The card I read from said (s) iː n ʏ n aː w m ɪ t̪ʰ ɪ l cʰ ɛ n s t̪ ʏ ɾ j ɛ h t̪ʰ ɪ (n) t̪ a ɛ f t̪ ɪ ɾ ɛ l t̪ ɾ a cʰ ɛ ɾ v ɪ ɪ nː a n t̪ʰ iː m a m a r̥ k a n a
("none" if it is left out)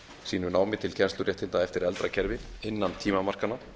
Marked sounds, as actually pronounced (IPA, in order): s, n

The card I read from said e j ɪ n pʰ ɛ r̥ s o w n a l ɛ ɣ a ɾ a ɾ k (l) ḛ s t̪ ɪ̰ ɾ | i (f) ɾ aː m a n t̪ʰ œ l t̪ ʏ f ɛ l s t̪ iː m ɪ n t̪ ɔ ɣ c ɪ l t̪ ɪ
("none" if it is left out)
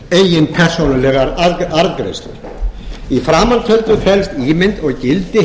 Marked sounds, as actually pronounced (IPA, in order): ɾ, f

